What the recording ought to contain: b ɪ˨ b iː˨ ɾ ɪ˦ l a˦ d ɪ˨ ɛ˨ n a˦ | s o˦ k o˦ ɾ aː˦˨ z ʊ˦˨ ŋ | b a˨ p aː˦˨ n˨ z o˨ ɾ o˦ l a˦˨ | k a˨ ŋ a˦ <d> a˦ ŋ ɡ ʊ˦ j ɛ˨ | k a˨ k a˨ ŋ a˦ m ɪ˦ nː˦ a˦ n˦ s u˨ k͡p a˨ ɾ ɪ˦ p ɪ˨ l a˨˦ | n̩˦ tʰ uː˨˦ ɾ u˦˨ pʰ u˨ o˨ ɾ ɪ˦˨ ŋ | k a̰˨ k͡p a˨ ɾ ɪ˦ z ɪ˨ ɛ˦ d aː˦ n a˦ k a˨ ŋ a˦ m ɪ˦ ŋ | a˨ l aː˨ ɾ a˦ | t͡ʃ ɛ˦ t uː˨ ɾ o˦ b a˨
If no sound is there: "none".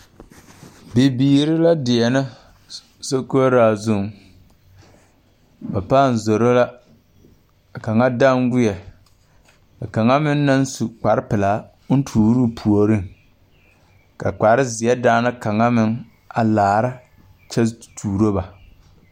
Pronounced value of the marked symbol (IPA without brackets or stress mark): d